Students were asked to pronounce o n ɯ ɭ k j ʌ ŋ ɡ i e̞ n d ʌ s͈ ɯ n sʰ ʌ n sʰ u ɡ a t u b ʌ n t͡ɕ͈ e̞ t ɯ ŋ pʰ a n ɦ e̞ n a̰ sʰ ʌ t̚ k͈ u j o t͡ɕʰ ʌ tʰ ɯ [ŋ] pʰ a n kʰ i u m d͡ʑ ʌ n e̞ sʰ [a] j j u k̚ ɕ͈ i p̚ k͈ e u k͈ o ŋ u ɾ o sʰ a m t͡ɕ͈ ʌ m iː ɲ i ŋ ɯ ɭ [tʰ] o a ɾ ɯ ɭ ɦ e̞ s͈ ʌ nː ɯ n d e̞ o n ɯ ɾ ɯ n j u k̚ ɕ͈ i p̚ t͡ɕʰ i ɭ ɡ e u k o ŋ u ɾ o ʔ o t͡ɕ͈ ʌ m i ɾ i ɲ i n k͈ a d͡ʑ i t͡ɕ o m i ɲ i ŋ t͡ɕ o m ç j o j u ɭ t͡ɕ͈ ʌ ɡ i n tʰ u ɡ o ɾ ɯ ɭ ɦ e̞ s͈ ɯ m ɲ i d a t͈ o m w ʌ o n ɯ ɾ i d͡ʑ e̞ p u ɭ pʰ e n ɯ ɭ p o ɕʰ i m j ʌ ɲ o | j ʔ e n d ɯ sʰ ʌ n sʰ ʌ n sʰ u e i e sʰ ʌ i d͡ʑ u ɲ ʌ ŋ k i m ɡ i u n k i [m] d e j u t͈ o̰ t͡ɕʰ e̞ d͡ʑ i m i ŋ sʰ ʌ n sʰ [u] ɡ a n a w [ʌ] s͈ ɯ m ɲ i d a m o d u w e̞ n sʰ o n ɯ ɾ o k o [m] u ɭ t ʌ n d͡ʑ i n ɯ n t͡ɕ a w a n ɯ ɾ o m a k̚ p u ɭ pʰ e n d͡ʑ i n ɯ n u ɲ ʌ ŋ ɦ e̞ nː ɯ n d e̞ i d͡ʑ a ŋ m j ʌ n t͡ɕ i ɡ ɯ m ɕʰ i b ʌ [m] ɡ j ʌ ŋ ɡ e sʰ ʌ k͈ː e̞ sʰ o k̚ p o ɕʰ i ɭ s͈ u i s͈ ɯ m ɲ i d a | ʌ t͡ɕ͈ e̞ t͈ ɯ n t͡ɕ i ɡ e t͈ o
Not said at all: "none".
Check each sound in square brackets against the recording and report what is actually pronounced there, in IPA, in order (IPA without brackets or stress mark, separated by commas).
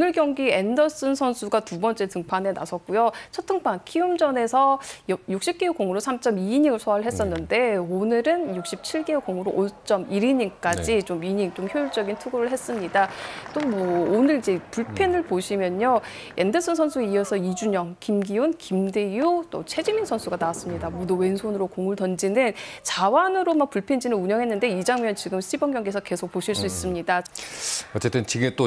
ŋ, ʌ, sʰ, m, u, a, ŋ, ŋ